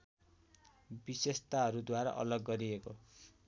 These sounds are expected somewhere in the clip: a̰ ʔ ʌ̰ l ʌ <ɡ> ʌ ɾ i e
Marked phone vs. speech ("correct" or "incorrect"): incorrect